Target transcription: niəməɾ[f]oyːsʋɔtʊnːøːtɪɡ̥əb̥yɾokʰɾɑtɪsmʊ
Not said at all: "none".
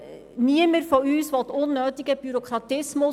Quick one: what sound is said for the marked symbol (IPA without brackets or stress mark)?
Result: f